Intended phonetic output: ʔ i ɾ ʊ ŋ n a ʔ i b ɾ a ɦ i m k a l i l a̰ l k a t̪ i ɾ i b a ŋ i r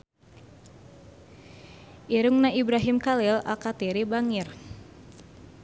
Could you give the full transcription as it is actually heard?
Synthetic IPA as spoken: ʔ i ɾ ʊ ŋ n a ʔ i b ɾ a ɦ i m k a l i l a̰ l k a t̪ i ɾ i b a ŋ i r